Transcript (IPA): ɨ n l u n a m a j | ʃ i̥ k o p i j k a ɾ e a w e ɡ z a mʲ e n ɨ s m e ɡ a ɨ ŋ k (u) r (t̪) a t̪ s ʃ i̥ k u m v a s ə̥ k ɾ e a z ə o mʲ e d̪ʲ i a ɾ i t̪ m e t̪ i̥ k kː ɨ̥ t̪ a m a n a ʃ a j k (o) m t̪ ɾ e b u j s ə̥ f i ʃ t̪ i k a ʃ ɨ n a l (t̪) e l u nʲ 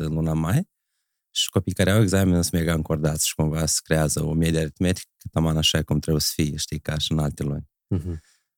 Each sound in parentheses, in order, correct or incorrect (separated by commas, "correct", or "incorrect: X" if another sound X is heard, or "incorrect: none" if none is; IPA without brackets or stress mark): incorrect: o, incorrect: d̪, incorrect: u, correct